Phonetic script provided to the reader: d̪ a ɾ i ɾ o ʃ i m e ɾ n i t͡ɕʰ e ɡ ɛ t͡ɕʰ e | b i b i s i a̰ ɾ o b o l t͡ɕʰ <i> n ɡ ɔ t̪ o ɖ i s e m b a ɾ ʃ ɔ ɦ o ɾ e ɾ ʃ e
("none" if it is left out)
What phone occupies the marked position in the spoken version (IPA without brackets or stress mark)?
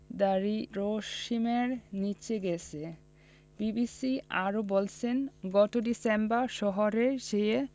e